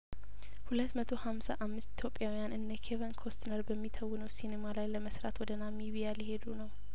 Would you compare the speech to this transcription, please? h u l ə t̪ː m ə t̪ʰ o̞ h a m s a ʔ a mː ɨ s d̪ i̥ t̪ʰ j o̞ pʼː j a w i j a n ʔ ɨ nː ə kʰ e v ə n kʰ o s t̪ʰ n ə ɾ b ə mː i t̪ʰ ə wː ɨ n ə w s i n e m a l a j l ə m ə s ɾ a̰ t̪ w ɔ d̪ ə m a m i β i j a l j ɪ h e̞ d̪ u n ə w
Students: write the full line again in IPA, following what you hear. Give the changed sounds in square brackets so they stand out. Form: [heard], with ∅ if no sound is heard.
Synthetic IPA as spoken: h u l ə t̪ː m ə t̪ʰ o̞ h a m s a ʔ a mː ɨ s [t̪] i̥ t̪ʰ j o̞ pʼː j a w i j a n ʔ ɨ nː ə kʰ e v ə n kʰ o s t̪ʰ n ə ɾ b ə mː i t̪ʰ ə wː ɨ n ə w s i n e m a l a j l ə m ə s ɾ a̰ t̪ w ɔ d̪ ə [n] a m i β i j a l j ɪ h e̞ d̪ u n ə w